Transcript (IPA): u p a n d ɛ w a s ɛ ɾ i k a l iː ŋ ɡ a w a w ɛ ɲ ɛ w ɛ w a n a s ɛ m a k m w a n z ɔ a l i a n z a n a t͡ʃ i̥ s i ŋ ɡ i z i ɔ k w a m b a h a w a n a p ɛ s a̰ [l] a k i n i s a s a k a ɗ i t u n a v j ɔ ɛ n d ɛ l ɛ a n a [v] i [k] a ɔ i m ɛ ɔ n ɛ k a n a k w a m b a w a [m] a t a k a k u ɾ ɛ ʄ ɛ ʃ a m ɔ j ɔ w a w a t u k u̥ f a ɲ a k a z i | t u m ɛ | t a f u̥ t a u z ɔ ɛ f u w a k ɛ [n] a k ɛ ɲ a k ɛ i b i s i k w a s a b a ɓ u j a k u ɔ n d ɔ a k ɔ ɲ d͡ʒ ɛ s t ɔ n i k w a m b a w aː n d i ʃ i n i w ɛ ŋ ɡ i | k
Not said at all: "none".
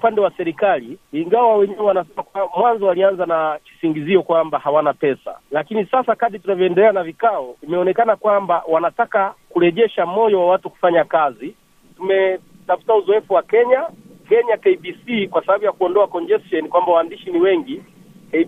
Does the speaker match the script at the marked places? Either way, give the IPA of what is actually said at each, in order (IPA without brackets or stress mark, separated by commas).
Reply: l, v, k, n, ɲ